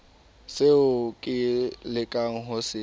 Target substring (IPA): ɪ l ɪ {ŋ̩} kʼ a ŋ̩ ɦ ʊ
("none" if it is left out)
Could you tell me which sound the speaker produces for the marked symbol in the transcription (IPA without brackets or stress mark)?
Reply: none